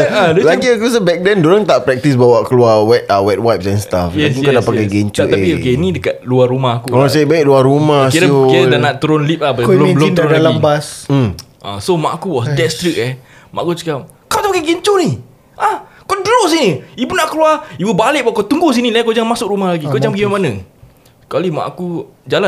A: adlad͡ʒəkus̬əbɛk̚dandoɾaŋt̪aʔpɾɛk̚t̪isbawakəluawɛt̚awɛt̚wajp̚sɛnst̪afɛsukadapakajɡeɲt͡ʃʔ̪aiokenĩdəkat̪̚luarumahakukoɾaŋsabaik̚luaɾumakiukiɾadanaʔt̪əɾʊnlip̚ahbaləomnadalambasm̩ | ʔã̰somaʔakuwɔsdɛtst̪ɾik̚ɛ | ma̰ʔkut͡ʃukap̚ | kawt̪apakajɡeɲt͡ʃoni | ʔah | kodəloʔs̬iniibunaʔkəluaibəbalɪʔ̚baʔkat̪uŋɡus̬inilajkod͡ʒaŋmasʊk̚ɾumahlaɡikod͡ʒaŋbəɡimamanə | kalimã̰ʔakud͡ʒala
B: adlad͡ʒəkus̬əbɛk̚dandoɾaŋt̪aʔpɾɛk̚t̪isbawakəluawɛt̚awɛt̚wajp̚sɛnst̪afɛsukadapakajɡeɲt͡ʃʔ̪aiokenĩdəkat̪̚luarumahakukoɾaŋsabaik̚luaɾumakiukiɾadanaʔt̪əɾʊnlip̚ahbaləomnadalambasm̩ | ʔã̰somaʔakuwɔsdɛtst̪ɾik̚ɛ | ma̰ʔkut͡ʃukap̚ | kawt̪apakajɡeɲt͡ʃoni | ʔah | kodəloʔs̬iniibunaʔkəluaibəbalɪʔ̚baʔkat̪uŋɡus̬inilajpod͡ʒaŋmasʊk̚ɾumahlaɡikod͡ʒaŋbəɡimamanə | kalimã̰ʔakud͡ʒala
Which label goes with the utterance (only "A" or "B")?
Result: A